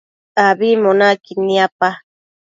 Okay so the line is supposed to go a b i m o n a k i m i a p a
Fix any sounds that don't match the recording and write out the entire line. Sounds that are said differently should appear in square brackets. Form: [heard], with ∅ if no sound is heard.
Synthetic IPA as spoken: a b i m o n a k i [n] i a p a